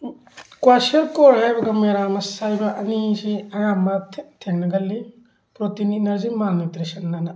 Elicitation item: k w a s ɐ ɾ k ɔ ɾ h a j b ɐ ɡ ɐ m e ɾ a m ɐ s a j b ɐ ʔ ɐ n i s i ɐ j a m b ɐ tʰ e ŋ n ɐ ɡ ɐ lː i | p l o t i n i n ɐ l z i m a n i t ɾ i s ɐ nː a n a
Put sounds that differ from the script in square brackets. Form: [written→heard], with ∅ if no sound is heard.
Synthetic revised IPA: k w a s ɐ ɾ k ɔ ɾ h a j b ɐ ɡ ɐ m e ɾ a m ɐ s a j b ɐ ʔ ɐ n i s i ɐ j a m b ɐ tʰ e ŋ n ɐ ɡ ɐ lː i | p [l→ɾ] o t i n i n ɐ [l→ɾ] z i m a n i t ɾ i s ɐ nː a n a